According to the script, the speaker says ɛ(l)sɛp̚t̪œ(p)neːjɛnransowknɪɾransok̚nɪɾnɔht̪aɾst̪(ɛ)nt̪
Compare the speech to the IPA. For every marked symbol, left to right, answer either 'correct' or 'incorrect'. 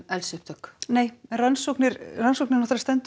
correct, incorrect: k, correct

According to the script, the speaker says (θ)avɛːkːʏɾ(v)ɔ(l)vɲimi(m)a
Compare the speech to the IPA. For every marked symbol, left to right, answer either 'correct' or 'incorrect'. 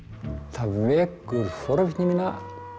correct, incorrect: f, incorrect: ɾ, incorrect: n

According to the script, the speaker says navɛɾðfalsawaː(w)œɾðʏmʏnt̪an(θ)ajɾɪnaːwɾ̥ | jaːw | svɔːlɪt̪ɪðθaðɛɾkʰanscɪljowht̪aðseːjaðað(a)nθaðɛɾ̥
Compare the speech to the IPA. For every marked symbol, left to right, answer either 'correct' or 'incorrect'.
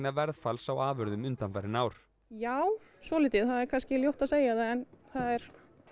incorrect: v, incorrect: f, incorrect: ɛ

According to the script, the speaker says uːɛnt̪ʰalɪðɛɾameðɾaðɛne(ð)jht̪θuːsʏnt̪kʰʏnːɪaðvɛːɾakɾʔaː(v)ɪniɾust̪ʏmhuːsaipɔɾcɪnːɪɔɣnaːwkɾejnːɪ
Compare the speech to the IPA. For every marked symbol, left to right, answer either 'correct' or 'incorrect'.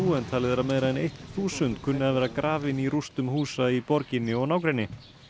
incorrect: none, correct

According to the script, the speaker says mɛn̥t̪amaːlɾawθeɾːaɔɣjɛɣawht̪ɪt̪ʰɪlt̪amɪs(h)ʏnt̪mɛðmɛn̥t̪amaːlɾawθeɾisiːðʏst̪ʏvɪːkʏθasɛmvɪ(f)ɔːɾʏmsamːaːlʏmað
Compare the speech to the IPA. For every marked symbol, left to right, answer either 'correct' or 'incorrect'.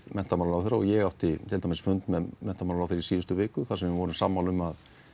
incorrect: f, incorrect: v

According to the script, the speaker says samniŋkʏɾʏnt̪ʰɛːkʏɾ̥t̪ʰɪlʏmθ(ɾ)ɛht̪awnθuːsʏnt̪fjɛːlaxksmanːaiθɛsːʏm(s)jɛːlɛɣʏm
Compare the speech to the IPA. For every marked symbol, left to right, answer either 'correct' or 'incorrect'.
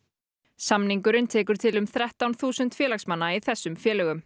correct, incorrect: f

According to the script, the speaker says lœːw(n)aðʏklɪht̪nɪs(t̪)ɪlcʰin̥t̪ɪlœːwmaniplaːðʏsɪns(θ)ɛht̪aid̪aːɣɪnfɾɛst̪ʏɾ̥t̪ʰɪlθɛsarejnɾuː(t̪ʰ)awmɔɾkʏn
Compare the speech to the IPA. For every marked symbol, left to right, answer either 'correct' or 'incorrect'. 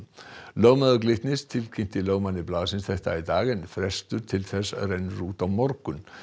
incorrect: m, incorrect: t̪ʰ, correct, incorrect: t̪

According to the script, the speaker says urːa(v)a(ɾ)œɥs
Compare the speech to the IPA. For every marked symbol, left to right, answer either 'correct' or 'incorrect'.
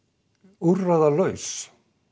incorrect: ð, incorrect: l

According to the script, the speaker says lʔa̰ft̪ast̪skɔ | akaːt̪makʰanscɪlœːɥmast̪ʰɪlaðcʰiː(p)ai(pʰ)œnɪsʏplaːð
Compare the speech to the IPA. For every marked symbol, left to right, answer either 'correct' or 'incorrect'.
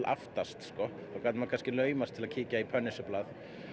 incorrect: c, correct

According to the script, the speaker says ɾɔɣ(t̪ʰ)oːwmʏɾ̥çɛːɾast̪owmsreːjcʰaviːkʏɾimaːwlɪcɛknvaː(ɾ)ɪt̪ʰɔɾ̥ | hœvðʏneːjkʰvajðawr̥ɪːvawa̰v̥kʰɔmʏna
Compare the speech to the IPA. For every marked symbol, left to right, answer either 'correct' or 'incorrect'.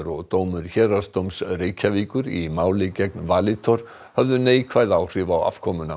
incorrect: t̪, incorrect: l

